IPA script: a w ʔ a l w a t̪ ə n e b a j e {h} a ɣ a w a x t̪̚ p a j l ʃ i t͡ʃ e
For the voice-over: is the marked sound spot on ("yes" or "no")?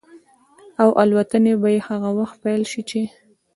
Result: yes